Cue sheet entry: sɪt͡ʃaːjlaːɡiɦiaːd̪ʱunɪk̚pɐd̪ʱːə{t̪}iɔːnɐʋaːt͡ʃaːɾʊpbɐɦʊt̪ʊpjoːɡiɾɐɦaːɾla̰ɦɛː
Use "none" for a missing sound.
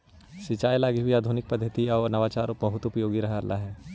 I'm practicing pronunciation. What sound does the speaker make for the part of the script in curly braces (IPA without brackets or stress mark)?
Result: t̪